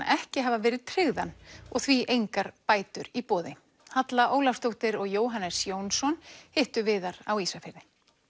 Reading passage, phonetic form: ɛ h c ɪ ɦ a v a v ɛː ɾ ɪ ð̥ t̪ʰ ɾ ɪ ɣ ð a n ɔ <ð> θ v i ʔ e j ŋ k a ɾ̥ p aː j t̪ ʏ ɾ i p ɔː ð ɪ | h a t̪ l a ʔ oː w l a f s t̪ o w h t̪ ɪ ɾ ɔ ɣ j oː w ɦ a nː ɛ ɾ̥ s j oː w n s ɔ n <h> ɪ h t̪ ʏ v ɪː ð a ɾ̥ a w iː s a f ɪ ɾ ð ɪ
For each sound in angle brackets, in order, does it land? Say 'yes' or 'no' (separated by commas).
no, yes